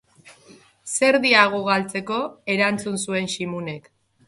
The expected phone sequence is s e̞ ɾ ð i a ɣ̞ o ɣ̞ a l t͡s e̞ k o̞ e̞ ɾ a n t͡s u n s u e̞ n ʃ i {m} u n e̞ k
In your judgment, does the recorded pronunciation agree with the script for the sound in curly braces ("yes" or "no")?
yes